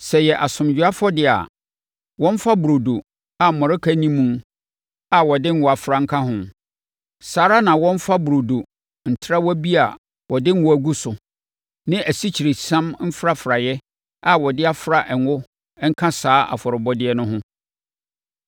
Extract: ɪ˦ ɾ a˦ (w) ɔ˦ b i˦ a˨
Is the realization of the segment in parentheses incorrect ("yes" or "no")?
no